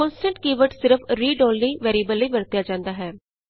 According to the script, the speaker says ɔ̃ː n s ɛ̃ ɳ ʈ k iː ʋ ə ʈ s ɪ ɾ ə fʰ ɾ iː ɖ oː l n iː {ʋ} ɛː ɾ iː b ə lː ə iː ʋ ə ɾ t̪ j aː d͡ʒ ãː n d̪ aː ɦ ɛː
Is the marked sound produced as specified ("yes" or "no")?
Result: yes